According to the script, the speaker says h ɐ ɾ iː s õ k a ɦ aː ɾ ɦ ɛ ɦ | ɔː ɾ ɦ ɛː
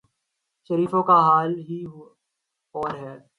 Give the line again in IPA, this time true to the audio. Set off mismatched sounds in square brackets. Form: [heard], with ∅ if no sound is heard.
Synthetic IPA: [ʃ] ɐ ɾ iː [f] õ k a ɦ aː [l] ɦ [i] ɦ | ɔː ɾ ɦ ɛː